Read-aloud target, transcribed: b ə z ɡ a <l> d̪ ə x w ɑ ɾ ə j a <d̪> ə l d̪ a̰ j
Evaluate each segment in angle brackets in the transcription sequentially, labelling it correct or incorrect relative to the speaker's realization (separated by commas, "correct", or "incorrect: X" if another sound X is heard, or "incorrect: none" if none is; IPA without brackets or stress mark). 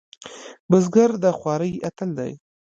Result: incorrect: ɾ, incorrect: t̪